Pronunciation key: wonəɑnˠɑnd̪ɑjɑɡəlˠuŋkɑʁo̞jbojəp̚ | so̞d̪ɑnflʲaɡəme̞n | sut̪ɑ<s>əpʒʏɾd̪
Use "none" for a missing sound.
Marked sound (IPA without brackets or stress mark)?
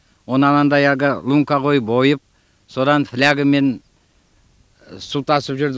s